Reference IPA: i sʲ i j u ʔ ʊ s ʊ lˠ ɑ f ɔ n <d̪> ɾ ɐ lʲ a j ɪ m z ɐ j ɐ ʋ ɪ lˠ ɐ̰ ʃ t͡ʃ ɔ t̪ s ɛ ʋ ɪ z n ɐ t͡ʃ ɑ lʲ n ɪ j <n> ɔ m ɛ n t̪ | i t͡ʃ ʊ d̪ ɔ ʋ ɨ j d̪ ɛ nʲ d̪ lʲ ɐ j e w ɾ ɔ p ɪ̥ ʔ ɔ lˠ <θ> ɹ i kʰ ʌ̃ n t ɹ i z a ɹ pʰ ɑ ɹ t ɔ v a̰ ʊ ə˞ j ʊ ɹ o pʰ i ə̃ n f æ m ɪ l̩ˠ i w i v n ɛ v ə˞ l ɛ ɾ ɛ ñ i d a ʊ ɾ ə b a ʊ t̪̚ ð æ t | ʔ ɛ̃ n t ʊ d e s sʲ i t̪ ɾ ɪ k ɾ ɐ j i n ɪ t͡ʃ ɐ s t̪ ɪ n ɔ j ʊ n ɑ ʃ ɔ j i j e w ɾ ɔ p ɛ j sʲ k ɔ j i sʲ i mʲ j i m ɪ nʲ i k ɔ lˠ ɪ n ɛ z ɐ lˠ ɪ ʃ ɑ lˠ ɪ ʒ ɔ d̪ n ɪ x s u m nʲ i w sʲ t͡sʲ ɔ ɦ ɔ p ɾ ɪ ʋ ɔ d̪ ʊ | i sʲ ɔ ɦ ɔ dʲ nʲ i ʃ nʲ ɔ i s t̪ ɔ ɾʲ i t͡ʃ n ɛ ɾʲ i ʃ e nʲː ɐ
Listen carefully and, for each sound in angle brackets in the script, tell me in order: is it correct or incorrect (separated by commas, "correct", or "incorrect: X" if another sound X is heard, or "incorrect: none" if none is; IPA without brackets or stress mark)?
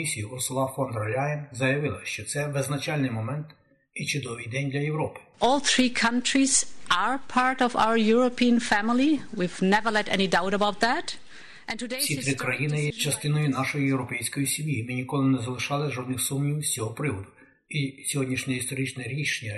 correct, incorrect: m, correct